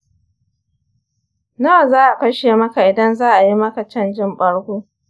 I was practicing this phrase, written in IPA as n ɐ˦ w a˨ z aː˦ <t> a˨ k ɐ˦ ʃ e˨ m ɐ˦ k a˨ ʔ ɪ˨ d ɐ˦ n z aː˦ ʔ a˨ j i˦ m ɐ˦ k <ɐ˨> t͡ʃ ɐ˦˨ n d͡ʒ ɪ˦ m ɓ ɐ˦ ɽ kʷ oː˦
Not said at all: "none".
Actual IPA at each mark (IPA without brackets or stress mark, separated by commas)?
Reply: ʔ, a˨